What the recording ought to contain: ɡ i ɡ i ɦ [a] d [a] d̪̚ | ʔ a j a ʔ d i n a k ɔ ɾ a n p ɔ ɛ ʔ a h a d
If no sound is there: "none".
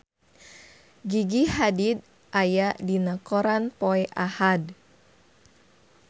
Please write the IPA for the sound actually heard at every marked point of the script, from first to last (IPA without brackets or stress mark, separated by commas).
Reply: a, i